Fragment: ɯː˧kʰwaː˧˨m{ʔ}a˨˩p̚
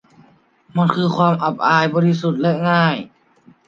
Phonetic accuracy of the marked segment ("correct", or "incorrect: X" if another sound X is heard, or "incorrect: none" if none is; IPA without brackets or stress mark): correct